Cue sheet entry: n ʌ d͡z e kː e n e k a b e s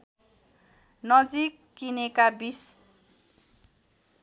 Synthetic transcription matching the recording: n ʌ d͡z i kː i n e k a b i s